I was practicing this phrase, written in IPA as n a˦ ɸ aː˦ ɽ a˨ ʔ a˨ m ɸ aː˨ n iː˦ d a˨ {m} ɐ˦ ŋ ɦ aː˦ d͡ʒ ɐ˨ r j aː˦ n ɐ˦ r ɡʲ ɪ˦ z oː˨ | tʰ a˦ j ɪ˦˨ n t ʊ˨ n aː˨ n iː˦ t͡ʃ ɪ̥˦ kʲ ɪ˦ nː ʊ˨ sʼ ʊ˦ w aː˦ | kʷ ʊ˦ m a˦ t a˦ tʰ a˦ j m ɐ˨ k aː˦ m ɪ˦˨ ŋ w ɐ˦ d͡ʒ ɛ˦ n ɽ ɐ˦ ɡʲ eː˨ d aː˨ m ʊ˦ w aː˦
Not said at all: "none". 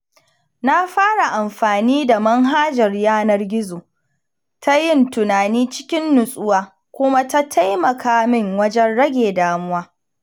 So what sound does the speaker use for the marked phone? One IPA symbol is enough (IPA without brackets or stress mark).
m